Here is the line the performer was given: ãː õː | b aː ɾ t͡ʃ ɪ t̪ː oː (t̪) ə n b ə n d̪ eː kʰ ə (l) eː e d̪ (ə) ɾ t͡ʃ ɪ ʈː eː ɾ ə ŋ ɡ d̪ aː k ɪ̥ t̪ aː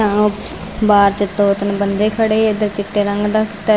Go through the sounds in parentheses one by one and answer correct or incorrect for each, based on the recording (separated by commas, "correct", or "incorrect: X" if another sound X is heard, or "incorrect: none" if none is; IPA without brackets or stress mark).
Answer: correct, incorrect: ɽ, correct